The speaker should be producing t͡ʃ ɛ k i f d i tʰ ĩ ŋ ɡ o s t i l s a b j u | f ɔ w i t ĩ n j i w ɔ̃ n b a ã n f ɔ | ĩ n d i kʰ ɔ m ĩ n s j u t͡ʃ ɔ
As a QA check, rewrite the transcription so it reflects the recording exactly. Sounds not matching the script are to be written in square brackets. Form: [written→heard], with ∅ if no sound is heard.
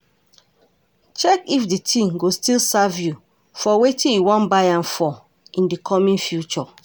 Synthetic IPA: t͡ʃ ɛ k i f d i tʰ ĩ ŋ ɡ o s t i l s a [b→v] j u | f ɔ w [i→e] t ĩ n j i w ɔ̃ n b a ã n f ɔ | ĩ n d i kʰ ɔ m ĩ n [s→f] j u t͡ʃ ɔ